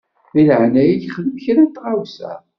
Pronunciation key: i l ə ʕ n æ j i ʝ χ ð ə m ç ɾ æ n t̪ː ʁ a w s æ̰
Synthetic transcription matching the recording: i l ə ʕ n æ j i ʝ χ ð ə m ç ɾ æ n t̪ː ʁ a w s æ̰